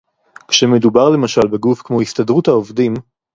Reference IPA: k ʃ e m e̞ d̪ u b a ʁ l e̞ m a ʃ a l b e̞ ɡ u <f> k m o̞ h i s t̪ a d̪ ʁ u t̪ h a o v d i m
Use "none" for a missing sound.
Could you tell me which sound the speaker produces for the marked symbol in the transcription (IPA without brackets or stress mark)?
f